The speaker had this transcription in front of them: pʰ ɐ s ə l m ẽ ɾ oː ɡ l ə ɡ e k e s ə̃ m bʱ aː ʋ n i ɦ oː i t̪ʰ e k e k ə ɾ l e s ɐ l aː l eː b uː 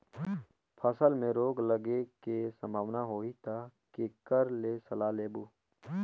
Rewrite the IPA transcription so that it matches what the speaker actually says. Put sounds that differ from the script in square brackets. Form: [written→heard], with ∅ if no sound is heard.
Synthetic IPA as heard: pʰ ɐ s ə l m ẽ ɾ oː ɡ l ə ɡ e k e s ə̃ m bʱ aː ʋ n [i→a] ɦ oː i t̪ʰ [e→a] k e k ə ɾ l e s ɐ l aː l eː b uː